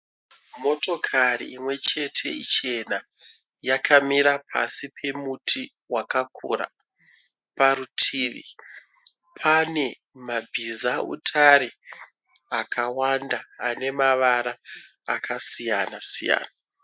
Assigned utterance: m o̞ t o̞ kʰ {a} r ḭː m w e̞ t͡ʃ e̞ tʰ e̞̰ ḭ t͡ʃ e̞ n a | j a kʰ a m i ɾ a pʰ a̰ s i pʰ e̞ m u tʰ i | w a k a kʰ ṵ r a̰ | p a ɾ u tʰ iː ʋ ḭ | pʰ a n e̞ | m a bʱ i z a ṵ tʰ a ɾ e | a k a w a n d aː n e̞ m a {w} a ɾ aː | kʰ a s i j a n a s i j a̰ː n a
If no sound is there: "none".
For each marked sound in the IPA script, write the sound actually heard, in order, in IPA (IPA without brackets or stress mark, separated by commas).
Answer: a, ʋ